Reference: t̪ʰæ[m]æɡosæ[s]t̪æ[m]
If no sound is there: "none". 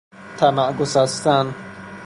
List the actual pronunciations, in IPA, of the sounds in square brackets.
m, s, n

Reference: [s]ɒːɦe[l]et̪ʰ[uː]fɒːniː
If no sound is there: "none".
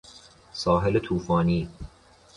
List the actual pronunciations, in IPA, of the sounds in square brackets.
s, l, uː

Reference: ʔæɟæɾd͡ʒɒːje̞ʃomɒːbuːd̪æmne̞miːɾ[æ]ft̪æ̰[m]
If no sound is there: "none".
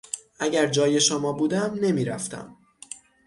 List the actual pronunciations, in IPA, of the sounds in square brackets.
æ, m

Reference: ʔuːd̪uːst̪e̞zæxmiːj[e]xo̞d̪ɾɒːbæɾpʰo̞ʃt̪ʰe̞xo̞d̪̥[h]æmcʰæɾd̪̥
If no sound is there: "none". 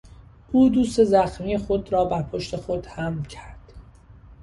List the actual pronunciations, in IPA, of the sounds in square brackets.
e, h

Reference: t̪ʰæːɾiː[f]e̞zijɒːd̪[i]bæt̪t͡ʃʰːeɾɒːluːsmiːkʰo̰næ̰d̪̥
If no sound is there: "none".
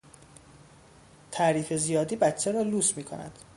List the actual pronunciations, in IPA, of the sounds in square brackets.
f, iː

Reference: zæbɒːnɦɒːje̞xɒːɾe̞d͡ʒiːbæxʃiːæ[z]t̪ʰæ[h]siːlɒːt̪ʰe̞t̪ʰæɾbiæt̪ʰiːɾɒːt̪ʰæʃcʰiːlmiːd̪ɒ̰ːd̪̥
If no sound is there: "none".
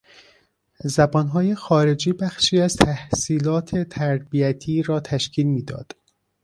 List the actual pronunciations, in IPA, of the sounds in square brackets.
z, h

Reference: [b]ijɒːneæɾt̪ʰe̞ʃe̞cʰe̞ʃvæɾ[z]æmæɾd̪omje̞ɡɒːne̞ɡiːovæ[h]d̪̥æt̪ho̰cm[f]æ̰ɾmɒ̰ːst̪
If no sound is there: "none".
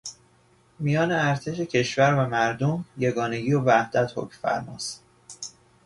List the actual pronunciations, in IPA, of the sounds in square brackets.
m, v, h, f

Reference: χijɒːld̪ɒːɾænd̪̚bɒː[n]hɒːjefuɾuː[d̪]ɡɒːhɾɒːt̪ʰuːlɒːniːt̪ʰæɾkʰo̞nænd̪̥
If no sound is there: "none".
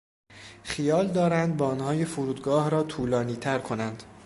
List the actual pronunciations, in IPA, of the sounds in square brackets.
n, d̪

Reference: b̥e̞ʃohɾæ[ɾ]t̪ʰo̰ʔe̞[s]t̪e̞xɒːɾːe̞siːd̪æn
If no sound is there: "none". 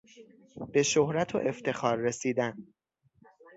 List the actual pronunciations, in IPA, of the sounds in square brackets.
none, f

